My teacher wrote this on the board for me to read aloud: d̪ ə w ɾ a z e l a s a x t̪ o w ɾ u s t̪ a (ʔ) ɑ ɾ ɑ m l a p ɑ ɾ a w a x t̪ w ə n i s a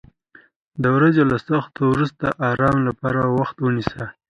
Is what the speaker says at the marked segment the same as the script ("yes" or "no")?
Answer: yes